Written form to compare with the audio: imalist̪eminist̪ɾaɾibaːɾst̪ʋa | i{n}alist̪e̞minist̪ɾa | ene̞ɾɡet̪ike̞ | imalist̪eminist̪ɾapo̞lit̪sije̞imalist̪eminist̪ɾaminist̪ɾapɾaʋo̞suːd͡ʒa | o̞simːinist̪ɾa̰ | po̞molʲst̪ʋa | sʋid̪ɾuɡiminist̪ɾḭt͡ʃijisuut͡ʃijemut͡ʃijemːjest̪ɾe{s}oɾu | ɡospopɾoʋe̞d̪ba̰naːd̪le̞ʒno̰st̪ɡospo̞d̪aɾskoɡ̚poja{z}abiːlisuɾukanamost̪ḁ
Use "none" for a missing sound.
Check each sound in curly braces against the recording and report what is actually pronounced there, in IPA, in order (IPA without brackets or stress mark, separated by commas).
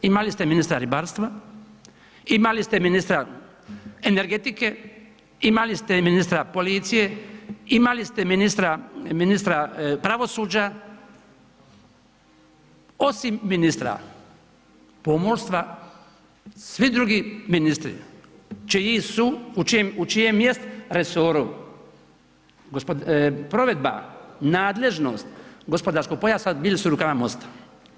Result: m, s, s